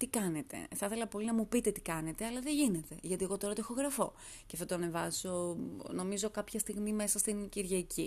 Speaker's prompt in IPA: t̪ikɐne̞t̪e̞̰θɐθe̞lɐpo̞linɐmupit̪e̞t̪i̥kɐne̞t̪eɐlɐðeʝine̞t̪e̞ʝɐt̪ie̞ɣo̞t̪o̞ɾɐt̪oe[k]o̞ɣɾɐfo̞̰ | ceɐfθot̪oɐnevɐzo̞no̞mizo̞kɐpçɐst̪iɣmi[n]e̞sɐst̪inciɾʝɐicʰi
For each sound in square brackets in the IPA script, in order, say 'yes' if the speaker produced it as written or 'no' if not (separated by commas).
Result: no, no